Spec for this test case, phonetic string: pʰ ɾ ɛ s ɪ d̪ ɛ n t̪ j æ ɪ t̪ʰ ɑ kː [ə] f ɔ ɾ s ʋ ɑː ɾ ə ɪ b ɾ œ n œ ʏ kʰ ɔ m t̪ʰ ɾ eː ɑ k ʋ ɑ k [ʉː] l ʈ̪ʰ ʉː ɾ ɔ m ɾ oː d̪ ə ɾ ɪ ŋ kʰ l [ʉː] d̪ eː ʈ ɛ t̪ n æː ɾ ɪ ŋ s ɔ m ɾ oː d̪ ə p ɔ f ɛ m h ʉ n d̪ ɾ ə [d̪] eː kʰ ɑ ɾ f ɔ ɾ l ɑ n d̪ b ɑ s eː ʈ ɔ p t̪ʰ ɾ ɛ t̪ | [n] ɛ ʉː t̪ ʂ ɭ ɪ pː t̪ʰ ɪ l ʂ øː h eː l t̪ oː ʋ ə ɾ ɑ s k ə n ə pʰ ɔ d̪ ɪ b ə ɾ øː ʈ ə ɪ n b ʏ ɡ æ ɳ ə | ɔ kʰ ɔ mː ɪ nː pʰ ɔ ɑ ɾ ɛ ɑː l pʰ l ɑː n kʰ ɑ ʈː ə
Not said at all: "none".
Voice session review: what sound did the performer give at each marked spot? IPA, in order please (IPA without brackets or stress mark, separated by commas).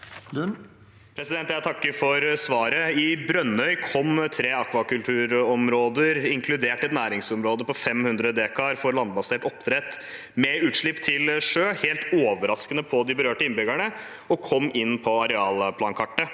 ə, ʉ, ʉ, d̪, m